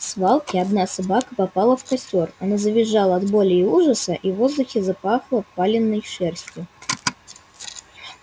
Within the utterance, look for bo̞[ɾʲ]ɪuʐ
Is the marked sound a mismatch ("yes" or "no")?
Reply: yes